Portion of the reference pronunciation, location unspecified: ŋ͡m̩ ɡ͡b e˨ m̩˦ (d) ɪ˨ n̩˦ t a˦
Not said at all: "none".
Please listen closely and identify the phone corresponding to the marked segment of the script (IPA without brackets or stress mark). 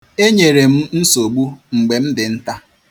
d